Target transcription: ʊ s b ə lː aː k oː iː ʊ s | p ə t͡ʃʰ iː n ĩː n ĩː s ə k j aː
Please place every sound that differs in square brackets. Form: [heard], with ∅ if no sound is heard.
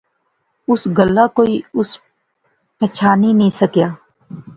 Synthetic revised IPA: ʊ s [ɡ] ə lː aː k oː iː ʊ s | p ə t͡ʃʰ [aː] n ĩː n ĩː s ə k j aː